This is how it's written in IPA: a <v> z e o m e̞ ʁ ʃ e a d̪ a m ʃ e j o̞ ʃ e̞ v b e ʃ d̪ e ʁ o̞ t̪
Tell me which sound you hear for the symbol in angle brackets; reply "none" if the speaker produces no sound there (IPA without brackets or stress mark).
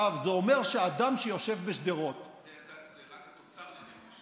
v